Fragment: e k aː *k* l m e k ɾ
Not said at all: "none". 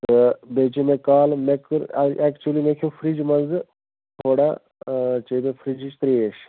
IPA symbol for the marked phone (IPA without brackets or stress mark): none